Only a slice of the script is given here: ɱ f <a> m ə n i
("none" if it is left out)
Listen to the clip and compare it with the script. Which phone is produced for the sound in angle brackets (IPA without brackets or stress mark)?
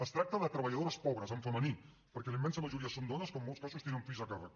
ə